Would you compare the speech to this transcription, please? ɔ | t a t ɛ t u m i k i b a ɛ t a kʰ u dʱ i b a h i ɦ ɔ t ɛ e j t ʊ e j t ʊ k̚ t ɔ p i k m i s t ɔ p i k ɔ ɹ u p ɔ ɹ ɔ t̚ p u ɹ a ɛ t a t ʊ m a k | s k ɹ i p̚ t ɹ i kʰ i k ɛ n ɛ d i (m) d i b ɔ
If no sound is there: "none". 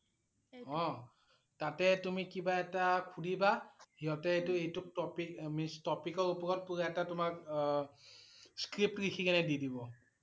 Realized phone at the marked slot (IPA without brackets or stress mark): none